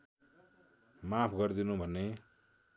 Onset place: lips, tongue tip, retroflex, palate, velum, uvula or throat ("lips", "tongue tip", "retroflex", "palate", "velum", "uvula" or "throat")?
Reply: lips